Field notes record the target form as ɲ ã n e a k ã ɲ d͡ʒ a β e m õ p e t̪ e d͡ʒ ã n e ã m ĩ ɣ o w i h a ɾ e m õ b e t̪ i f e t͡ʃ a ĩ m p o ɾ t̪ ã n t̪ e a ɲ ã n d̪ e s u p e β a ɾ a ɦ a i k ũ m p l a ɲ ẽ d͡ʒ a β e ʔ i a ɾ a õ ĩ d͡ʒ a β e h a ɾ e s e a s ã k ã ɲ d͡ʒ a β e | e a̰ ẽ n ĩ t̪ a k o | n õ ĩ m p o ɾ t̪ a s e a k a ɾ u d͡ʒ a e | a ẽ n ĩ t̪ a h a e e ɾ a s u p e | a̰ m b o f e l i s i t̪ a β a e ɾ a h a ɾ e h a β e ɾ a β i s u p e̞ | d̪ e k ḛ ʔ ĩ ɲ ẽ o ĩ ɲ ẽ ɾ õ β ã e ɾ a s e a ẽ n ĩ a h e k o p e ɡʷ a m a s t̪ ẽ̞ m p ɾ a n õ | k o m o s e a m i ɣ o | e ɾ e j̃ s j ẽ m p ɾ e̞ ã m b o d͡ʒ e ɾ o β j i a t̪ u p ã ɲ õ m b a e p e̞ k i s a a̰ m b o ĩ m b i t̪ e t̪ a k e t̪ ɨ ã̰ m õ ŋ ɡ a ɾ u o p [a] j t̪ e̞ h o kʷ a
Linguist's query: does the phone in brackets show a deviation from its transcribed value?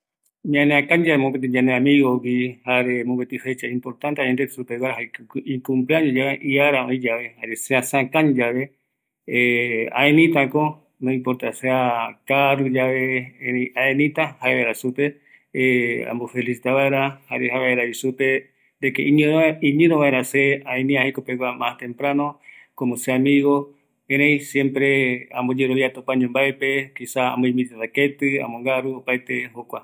no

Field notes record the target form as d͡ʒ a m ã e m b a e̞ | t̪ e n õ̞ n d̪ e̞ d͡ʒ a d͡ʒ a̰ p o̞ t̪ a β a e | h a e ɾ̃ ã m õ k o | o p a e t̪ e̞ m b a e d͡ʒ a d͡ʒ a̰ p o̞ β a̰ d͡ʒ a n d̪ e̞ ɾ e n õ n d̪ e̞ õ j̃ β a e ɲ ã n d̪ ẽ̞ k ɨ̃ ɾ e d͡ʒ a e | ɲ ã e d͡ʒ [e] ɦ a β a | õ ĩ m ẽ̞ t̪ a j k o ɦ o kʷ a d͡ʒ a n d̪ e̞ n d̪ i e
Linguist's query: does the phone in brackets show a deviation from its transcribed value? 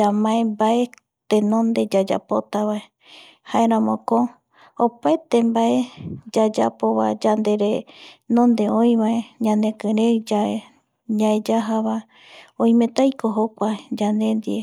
yes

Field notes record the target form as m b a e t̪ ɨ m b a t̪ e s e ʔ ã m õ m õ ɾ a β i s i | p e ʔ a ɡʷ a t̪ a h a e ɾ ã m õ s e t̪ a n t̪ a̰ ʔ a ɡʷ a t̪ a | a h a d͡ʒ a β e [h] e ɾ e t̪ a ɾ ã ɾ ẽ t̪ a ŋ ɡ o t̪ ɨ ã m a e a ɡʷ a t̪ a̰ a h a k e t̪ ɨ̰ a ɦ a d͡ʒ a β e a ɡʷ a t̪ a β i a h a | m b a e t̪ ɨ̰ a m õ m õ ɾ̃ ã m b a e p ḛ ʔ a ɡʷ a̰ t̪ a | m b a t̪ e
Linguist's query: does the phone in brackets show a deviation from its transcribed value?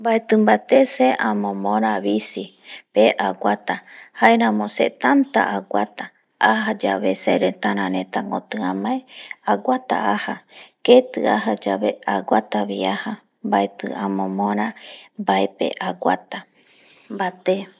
yes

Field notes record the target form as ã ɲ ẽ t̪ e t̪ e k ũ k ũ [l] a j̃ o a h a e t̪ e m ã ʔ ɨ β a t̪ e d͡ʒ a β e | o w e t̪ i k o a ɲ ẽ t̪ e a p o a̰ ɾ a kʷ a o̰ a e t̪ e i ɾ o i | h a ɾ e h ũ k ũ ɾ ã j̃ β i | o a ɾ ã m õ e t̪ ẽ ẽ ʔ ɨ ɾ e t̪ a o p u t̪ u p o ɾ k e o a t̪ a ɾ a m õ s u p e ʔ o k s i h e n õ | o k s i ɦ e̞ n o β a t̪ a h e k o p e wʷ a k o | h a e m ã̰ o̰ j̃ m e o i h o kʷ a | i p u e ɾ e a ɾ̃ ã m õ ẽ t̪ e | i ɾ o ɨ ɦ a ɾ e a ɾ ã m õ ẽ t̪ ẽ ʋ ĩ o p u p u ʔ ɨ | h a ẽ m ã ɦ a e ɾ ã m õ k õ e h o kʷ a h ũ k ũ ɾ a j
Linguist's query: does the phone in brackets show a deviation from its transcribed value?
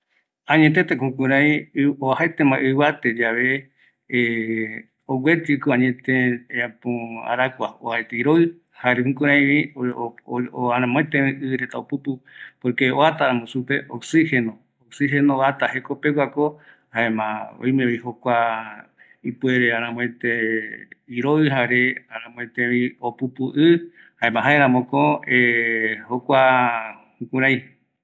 yes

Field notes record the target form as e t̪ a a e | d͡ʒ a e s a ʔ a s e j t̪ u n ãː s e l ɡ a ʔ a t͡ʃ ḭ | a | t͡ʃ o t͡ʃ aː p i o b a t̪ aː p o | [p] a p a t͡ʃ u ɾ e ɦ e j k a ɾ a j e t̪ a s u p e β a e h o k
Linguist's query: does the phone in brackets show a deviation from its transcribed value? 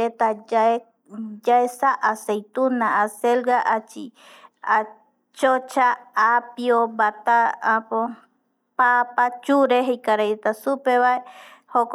no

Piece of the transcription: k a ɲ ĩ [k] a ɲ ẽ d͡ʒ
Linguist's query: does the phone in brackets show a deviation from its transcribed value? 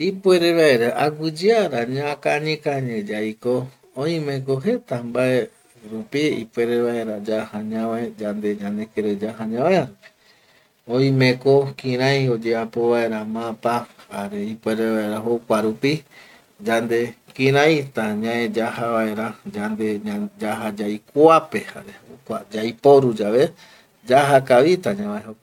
no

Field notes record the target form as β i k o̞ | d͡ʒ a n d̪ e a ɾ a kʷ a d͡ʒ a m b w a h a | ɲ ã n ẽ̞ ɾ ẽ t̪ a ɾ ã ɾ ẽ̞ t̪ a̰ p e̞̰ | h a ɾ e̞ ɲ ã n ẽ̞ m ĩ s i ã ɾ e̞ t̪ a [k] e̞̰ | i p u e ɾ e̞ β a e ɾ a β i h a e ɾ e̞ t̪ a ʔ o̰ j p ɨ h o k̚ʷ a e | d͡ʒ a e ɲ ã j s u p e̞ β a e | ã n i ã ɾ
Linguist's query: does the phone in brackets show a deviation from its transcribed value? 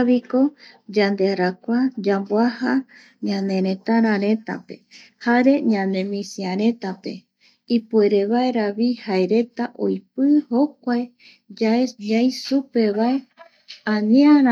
yes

